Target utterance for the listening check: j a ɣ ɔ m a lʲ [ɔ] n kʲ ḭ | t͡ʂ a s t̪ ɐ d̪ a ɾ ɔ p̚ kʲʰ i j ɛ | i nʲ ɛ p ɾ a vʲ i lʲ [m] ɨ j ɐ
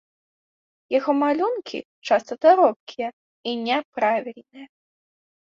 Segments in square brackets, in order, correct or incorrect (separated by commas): incorrect, incorrect